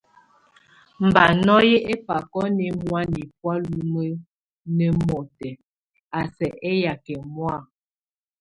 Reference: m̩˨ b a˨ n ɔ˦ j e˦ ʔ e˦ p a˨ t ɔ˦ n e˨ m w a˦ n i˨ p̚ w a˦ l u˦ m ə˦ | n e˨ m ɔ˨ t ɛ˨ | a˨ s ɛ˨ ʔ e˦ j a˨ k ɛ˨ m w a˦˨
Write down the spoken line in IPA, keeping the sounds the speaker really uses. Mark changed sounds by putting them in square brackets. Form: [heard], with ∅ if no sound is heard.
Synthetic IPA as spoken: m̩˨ b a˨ n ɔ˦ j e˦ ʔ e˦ p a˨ [k] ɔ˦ n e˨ m w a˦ n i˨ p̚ w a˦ l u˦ m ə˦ | n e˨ m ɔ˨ t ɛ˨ | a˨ s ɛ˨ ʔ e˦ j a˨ k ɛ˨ m w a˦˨

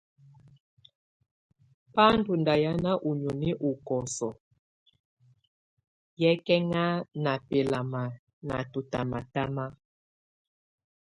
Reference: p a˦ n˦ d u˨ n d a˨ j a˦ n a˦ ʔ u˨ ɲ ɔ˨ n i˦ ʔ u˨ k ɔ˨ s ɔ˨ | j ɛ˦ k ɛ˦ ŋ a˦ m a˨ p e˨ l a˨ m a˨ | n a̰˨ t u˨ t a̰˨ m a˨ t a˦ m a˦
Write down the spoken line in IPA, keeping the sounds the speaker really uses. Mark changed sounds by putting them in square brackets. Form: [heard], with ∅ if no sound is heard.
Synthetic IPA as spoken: p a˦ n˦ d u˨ n d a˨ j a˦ n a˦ ʔ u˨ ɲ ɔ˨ n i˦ ʔ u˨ k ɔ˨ s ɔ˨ | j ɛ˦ k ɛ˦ ŋ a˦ [n] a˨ p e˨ l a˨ m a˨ | n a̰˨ t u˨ t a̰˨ m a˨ t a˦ m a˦

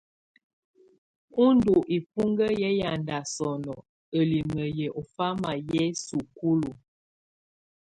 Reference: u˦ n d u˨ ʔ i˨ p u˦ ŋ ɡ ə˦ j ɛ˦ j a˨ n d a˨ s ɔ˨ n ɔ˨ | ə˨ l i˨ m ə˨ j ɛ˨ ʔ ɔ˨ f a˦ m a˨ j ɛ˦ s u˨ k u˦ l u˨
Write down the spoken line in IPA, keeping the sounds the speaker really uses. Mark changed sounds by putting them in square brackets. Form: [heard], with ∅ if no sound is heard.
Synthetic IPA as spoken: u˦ n d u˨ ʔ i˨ p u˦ ŋ ɡ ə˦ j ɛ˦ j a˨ n d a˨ s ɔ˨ n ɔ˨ | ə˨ l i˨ m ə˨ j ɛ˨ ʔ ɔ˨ f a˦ m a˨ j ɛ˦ s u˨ k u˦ l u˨

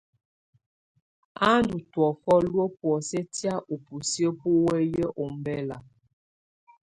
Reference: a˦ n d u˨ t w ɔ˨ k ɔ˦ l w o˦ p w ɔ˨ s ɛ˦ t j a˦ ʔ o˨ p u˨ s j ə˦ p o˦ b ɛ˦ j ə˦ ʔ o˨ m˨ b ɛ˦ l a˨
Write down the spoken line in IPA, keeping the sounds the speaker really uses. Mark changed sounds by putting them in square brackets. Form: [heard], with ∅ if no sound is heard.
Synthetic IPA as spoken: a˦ n d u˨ t w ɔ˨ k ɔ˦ l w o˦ p w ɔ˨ s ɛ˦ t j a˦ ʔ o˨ p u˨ s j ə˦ p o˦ [w] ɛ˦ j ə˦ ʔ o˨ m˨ b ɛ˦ l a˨

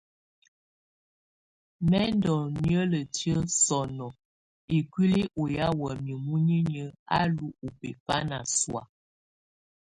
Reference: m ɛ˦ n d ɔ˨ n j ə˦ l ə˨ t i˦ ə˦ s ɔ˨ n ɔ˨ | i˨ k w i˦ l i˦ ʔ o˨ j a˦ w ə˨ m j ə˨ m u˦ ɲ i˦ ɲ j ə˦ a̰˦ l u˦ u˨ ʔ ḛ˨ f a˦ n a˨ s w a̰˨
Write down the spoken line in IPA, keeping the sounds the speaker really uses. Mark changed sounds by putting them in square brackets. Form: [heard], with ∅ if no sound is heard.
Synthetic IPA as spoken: m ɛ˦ n d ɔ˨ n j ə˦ l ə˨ t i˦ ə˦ s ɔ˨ n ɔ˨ | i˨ k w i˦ l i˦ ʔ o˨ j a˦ w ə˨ m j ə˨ m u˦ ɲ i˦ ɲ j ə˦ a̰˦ l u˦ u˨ [p] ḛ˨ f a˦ n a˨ s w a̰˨

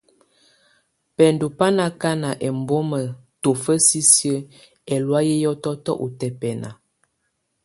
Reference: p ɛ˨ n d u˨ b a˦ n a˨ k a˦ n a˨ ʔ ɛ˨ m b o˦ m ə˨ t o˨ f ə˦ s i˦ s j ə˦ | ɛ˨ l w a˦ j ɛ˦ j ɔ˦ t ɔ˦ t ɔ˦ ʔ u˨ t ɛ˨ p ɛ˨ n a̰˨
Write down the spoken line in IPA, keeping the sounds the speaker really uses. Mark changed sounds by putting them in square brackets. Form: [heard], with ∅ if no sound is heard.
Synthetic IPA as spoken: p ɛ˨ n d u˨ [p] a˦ n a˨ k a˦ n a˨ ʔ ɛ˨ m b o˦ m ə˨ t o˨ f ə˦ s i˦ s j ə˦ | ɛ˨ l w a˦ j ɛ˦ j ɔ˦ t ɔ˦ t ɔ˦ ʔ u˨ t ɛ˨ p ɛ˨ n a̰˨

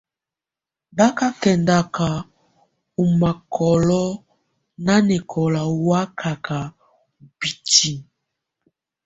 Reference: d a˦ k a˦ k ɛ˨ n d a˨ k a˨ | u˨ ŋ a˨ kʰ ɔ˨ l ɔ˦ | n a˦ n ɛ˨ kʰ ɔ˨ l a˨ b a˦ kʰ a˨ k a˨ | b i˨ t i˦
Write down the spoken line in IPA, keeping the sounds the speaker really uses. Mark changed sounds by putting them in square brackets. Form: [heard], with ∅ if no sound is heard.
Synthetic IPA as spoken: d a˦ k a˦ k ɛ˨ n d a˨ k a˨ | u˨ [m] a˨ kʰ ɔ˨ l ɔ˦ | n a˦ n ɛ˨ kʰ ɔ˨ l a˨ [w] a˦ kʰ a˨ k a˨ | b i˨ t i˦

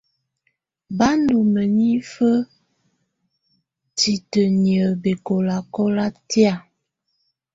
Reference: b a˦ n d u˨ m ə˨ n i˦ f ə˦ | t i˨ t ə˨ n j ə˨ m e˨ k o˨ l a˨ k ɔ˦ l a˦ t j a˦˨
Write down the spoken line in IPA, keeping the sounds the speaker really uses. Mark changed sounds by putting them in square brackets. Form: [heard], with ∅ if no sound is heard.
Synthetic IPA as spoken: b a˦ n d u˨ m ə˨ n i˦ f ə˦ | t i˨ t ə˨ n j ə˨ [b] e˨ k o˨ l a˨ k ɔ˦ l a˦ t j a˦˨

